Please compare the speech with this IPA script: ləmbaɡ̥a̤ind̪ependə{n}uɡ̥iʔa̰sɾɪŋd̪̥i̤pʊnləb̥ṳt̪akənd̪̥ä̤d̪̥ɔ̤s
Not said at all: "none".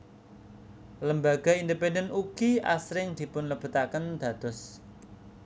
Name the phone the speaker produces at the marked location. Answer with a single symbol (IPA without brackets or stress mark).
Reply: n